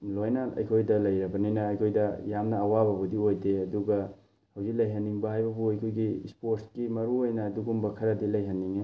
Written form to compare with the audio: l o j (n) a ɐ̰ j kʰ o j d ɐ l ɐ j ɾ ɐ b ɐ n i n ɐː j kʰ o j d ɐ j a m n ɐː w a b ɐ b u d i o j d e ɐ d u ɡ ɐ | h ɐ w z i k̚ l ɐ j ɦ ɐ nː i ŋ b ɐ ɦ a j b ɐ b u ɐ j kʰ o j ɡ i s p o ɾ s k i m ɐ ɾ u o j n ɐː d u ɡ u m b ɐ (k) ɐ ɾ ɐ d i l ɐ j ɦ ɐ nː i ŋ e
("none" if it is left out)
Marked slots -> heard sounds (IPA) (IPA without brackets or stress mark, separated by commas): n, kʰ